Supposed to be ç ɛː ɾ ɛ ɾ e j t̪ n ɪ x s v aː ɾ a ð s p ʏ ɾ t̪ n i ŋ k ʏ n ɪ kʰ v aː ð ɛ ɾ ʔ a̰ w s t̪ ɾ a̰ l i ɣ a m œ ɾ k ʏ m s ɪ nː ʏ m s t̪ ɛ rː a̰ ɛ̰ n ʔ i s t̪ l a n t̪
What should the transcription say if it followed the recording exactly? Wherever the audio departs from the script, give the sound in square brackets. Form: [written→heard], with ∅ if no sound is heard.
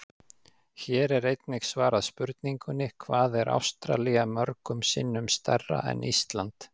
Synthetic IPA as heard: ç ɛː ɾ ɛ ɾ e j t̪ n ɪ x s v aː ɾ a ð s p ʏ ɾ t̪ n i ŋ k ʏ n ɪ kʰ v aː ð ɛ ɾ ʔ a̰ w s t̪ ɾ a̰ l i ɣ a m œ ɾ k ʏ m s ɪ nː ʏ m s t̪ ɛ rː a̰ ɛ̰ n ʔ i s t̪ l a n t̪